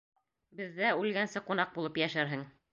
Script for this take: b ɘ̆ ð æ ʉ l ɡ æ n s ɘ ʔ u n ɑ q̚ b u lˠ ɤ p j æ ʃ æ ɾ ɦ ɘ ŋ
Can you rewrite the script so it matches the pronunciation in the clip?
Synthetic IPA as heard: b ɘ̆ ðː æ ʉ l ɡ æ n s ɘ q u n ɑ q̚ b u lˠ ɤ p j æ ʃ æ ɾ ɦ ɘ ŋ